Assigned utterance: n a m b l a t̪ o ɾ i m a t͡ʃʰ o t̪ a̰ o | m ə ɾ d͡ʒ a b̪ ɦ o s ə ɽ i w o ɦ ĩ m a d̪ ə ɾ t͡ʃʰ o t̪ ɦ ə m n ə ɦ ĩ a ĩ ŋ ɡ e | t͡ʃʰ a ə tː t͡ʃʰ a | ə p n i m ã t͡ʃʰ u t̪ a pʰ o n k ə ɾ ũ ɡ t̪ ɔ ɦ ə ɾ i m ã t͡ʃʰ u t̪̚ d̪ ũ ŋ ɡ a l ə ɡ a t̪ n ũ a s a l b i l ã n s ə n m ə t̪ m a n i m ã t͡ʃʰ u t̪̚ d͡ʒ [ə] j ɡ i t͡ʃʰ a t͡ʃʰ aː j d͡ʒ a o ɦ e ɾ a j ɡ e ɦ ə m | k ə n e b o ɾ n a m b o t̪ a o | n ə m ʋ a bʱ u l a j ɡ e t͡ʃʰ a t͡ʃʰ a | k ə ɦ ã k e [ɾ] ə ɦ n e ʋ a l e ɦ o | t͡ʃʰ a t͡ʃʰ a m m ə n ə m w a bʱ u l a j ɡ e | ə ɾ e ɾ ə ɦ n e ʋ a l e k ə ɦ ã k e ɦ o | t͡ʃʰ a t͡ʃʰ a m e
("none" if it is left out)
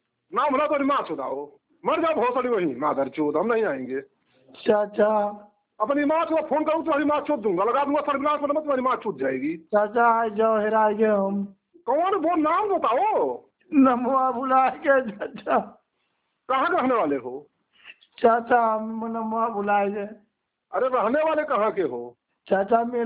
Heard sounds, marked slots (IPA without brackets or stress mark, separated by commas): a, ɾ